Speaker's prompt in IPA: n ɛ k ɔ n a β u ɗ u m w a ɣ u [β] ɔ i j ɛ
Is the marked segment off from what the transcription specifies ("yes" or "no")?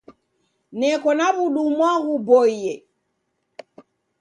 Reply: yes